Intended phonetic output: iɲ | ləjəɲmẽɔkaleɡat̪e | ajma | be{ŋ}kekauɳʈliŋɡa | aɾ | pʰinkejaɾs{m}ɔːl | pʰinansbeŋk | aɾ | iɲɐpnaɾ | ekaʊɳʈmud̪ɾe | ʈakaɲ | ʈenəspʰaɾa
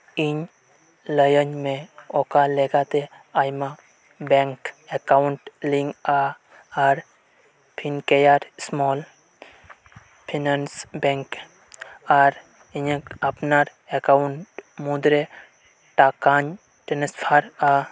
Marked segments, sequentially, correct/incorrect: correct, correct

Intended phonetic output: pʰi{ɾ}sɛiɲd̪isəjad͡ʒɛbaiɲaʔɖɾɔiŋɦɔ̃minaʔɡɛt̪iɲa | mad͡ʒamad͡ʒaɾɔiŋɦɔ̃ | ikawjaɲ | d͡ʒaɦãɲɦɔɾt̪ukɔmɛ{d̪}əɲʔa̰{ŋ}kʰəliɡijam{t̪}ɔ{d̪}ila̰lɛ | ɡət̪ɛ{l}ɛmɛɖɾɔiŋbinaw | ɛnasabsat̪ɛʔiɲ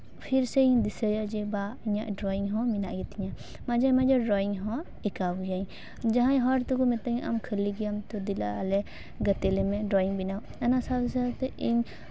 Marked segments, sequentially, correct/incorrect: correct, incorrect: t̪, incorrect: m, correct, correct, correct

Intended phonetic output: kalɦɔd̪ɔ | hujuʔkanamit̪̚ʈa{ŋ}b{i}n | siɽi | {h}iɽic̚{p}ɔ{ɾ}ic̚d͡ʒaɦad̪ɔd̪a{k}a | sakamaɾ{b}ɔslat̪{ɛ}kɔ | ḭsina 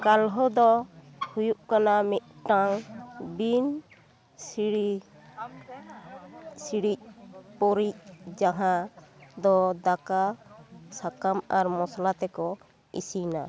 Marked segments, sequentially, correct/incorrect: correct, correct, incorrect: s, correct, correct, correct, incorrect: m, correct

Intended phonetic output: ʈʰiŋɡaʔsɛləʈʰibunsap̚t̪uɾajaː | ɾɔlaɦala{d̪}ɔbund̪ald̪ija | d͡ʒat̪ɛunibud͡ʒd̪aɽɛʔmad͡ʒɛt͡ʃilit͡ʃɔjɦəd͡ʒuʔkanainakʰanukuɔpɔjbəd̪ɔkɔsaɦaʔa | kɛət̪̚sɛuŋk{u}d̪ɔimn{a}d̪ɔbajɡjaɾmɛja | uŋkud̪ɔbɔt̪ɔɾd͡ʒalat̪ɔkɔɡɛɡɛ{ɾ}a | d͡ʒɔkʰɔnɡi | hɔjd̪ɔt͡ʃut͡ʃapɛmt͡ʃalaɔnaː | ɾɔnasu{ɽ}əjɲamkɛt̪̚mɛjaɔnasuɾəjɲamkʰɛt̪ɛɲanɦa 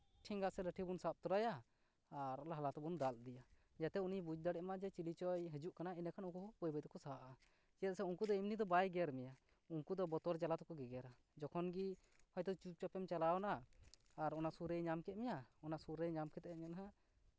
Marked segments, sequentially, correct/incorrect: incorrect: t̪, correct, incorrect: i, correct, incorrect: ɾ

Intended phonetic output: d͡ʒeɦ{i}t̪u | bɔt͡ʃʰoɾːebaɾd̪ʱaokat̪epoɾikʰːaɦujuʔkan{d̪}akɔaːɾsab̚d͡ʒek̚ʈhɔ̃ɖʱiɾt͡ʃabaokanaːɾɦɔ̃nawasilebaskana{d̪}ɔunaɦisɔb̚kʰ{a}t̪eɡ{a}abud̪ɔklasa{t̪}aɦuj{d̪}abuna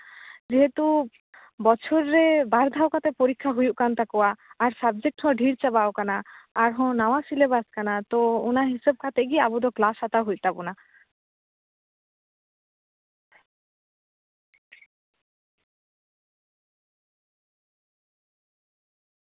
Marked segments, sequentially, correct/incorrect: incorrect: e, incorrect: t̪, incorrect: t̪, correct, incorrect: i, correct, incorrect: t̪

